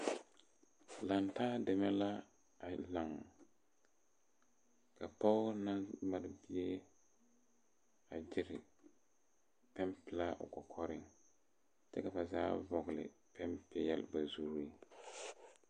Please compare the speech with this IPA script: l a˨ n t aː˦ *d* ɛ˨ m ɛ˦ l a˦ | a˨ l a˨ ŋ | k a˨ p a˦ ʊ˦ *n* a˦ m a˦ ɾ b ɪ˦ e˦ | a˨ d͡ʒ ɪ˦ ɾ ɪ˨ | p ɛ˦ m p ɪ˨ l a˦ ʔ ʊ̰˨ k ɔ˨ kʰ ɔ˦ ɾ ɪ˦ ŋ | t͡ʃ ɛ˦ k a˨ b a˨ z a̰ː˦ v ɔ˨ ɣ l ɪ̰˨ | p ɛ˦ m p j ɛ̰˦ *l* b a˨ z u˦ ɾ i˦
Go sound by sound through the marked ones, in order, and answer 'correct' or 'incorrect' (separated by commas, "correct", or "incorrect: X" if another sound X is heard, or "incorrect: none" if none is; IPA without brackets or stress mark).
correct, correct, correct